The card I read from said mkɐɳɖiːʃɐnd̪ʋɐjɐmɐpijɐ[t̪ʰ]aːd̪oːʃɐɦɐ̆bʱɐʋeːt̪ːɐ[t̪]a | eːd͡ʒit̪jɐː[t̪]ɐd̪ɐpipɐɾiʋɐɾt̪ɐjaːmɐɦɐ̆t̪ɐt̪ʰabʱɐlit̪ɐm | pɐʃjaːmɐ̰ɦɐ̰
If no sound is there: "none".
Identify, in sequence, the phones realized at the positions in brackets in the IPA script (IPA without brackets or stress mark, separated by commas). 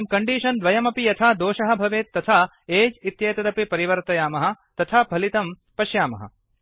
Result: t̪ʰ, t̪ʰ, t̪